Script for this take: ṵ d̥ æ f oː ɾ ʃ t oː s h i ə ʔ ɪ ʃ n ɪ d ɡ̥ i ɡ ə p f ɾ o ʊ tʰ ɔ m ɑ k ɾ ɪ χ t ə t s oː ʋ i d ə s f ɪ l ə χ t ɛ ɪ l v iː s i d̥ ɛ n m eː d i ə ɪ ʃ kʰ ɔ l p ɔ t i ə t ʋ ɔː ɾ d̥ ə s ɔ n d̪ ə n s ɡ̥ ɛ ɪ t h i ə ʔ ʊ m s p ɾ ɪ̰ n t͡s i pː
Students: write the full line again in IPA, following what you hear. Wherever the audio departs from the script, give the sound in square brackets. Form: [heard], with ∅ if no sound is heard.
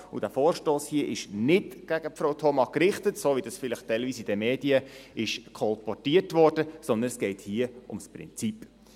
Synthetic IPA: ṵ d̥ æ f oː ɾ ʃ t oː s h i ə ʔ ɪ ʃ n ɪ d ɡ̥ [æ] ɡ ə p f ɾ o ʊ tʰ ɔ m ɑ k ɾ ɪ χ t ə t s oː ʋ i d [ɑ] s f ɪ l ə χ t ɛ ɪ l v iː s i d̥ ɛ [∅] m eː d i ə ɪ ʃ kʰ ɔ l p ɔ t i ə t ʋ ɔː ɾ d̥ ə s ɔ n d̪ ə n s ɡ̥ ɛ ɪ t h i ə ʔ ʊ m s p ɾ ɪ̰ n t͡s i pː